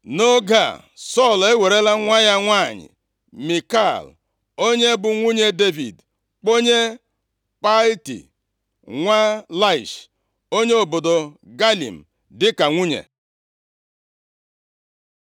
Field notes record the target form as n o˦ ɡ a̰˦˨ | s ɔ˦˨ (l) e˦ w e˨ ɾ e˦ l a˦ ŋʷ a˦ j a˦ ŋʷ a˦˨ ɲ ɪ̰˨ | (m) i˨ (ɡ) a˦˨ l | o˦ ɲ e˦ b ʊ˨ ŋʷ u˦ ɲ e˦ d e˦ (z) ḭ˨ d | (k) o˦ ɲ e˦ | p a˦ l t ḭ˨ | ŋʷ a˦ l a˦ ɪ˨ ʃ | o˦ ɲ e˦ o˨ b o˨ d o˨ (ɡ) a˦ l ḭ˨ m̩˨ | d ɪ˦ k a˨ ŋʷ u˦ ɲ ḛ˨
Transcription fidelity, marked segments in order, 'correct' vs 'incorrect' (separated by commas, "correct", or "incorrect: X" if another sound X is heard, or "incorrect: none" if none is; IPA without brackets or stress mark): correct, correct, incorrect: k, incorrect: v, incorrect: k͡p, correct